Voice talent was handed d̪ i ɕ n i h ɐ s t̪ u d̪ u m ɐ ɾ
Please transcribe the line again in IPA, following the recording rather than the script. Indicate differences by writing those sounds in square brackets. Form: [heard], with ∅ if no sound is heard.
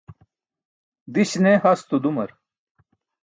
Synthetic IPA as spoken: d̪ i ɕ n [e] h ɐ s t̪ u d̪ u m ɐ ɾ